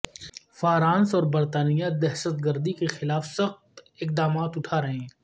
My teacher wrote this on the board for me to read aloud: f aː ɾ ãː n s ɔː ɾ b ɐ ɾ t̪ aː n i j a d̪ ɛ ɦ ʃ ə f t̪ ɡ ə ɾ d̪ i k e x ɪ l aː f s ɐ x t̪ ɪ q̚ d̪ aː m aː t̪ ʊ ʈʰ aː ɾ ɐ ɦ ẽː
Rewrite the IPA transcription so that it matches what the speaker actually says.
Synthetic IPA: f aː ɾ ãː n s ɔː ɾ b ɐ ɾ t̪ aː n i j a d̪ ɛ ɦ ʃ ə t̪ ɡ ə ɾ d̪ i k e x ɪ l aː f s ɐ x t̪ ɪ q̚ d̪ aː m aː t̪ ʊ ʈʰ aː ɾ ɐ ɦ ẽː